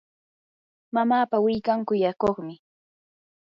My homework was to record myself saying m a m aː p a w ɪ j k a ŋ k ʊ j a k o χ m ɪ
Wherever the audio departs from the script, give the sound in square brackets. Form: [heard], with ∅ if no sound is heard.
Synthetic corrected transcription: m a m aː p a w ɪ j k a ŋ k ʊ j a k o χ m ɪ